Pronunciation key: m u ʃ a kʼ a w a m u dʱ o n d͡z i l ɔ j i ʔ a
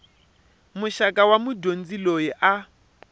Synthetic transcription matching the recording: m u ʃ a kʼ a w a m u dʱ o n d͡z i l o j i ʔ a